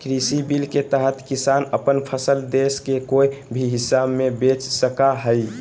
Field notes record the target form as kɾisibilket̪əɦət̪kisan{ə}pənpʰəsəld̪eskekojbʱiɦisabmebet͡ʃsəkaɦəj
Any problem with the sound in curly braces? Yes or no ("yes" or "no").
no